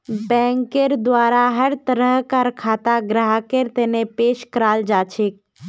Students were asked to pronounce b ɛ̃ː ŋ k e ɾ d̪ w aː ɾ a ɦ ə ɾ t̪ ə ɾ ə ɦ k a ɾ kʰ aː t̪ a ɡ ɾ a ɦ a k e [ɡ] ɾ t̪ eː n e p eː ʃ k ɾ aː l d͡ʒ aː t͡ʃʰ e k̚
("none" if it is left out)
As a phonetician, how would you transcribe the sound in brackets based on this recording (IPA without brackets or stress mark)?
none